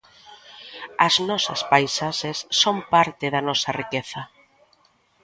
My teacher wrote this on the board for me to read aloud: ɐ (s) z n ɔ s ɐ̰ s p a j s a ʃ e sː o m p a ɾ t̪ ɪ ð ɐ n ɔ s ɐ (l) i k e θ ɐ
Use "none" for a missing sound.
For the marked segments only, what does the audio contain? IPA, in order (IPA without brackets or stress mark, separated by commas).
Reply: none, r